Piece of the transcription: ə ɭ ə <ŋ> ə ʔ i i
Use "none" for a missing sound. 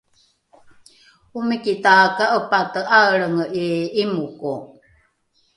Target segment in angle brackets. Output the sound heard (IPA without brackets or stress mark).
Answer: ŋ